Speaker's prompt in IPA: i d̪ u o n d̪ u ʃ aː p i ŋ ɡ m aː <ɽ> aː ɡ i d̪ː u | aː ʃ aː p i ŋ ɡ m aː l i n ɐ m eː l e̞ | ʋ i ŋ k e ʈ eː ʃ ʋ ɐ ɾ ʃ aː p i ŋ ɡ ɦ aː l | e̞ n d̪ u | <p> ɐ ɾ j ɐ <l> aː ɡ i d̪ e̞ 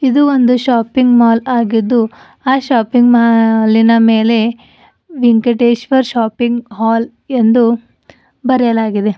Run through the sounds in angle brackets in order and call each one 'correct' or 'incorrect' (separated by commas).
incorrect, incorrect, correct